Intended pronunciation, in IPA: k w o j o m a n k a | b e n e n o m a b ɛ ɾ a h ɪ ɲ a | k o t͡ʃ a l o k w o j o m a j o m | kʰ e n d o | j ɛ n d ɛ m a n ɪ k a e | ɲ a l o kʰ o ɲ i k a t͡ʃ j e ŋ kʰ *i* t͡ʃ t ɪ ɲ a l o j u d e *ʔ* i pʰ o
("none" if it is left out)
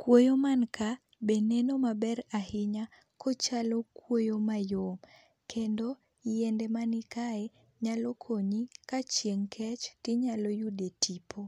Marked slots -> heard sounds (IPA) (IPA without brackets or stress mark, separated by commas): ɛ, t